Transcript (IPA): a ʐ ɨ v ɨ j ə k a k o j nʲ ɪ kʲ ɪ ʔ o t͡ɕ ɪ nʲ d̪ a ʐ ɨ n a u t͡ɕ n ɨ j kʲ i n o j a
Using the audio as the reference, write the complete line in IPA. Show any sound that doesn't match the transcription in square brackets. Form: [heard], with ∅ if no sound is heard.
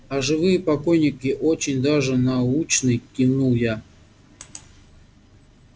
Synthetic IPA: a ʐ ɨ v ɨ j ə [p] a k o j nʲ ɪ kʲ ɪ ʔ o t͡ɕ ɪ nʲ d̪ a ʐ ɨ n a u t͡ɕ n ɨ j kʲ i n [u] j a